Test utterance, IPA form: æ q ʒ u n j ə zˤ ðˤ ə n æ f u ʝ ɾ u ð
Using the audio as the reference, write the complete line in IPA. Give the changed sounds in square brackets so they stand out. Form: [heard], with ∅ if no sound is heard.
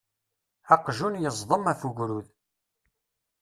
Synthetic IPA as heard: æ q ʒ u n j ə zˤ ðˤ ə [m] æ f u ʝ ɾ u ð